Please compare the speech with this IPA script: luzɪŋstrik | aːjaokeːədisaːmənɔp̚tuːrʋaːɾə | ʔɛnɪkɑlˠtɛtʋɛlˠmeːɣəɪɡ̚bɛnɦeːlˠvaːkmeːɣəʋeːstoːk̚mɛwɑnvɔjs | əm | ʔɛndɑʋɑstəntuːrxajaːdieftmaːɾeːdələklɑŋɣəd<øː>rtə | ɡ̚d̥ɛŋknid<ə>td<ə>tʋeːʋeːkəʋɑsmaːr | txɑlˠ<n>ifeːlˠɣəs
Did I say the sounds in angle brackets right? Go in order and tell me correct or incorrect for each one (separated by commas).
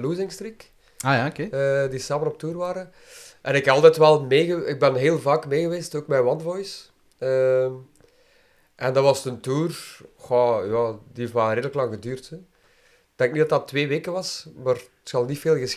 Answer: incorrect, incorrect, incorrect, correct